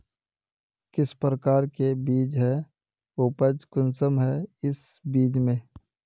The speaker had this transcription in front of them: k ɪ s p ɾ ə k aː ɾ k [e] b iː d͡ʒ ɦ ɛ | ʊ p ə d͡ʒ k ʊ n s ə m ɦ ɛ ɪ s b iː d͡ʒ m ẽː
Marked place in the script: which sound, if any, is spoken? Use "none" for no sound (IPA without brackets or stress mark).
e